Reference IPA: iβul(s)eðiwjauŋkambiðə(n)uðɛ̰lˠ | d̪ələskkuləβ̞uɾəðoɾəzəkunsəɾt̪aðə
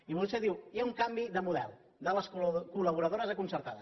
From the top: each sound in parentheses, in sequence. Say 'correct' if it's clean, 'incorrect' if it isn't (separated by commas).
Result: correct, incorrect